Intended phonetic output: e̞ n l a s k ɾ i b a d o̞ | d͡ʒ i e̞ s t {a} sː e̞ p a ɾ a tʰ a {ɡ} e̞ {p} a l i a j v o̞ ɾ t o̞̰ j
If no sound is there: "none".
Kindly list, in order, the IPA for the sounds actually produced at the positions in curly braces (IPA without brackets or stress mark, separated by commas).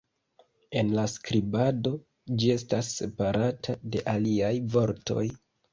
a, d, ʔ